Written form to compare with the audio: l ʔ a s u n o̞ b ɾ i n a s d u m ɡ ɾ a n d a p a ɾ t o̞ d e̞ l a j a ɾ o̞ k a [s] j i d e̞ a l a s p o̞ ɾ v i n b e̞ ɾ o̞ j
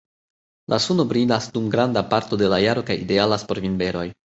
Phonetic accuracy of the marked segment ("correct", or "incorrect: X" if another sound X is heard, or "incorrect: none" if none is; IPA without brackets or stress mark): incorrect: none